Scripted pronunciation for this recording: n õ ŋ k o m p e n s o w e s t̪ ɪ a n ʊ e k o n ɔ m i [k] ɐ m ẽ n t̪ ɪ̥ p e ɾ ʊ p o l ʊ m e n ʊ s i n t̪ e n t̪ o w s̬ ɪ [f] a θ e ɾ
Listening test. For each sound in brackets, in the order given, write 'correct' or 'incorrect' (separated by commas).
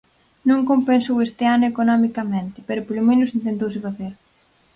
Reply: correct, correct